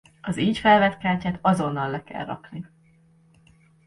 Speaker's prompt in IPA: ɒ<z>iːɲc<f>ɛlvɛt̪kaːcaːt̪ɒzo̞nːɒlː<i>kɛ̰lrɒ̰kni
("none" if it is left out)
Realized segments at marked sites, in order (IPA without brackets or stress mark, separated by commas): z, f, ɛ